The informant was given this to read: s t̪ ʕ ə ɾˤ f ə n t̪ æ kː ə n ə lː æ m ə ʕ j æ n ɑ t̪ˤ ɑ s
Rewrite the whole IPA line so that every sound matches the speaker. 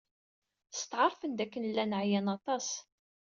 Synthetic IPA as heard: s t̪ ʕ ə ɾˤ f ə n d̪ æ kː ə n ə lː æ n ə ʕ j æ n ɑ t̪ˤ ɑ s